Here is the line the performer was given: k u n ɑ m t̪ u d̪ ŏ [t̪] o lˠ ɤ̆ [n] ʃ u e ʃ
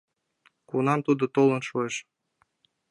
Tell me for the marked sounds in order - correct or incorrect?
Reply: correct, correct

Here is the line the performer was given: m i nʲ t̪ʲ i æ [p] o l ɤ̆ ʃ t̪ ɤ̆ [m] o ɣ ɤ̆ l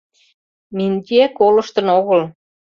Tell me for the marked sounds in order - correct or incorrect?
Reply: incorrect: k, incorrect: n

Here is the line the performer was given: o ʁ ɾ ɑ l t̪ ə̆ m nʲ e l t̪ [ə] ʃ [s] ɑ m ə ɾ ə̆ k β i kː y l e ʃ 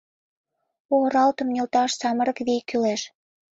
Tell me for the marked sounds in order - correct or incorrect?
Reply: incorrect: ɑ, correct

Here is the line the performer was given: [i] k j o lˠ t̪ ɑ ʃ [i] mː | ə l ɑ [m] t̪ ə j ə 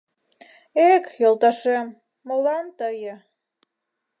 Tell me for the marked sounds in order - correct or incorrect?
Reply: incorrect: e, incorrect: e, incorrect: n

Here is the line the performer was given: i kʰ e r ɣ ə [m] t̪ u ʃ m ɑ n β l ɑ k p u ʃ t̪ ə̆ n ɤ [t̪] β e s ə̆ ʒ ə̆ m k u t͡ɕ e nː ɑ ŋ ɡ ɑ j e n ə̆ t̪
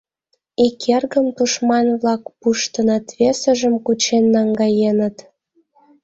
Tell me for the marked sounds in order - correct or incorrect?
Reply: correct, correct

